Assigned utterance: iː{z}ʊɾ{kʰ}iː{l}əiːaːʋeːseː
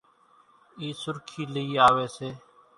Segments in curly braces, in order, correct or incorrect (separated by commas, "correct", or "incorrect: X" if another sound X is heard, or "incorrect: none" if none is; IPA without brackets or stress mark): incorrect: s, correct, correct